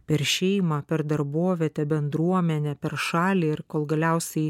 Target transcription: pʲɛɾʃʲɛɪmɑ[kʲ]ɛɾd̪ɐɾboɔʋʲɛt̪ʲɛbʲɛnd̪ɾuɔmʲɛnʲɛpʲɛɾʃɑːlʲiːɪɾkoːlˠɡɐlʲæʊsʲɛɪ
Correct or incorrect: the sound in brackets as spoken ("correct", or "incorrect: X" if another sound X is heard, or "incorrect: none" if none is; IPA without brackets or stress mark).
incorrect: pʲ